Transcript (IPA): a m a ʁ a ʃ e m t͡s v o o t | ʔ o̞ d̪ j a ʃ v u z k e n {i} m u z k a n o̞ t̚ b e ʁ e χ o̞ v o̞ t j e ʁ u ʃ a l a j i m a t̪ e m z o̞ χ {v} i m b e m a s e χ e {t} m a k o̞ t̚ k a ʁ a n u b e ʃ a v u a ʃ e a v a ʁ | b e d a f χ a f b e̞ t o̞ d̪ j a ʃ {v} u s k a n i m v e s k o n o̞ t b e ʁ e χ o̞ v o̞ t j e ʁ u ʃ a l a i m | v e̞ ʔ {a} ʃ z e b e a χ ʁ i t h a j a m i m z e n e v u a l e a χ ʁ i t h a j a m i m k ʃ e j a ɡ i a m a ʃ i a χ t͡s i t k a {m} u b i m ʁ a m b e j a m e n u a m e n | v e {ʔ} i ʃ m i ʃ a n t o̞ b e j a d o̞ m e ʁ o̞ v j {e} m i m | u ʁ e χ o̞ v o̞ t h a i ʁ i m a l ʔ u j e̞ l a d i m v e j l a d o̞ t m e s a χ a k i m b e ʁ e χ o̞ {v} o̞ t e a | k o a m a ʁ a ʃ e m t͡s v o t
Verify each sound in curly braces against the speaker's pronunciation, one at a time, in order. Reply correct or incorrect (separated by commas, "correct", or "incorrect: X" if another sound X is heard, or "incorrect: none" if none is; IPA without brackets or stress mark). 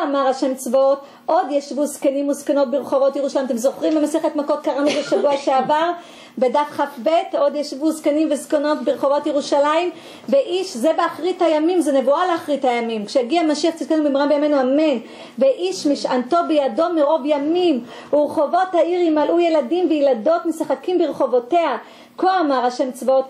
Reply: correct, incorrect: ʁ, correct, correct, incorrect: i, incorrect: n, correct, incorrect: a, correct